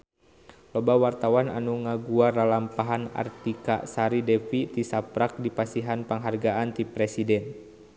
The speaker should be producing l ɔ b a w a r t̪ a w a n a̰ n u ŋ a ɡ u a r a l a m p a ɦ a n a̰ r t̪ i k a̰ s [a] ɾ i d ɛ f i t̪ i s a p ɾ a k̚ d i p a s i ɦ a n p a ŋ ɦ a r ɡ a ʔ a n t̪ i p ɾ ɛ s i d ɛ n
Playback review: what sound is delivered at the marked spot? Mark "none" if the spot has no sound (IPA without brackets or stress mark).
a